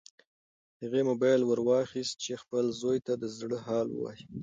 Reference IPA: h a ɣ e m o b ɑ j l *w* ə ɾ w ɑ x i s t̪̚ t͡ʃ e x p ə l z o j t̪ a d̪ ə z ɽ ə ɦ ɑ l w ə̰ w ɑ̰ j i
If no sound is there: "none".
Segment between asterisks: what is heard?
w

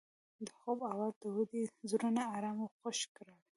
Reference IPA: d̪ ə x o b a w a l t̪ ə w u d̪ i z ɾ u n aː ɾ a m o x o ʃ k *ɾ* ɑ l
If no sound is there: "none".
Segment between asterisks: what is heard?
ɾ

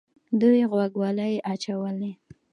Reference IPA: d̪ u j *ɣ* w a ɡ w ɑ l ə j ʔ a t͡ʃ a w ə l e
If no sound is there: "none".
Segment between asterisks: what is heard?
ɣ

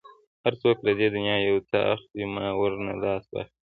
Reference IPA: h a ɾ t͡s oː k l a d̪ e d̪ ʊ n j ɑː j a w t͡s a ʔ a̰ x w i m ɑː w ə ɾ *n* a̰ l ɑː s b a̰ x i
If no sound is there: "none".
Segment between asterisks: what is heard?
n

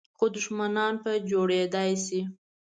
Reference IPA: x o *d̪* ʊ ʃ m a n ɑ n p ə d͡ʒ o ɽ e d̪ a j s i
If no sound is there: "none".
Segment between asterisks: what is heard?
d̪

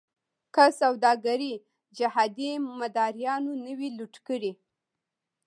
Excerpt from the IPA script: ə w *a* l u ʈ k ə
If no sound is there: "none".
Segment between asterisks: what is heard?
i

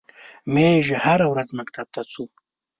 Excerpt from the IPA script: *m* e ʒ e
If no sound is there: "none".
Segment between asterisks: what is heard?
m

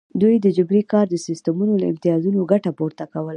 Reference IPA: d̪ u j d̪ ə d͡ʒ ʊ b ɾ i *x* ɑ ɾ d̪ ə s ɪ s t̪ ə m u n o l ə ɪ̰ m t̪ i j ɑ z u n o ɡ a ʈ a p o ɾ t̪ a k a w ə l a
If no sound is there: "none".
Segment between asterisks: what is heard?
k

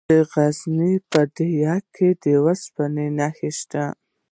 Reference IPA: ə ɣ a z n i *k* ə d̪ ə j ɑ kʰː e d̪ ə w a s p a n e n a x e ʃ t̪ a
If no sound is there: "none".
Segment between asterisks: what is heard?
p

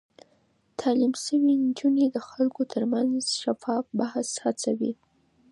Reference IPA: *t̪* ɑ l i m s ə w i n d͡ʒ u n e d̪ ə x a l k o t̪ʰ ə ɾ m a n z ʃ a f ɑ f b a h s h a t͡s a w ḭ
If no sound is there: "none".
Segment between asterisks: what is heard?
t̪ʰ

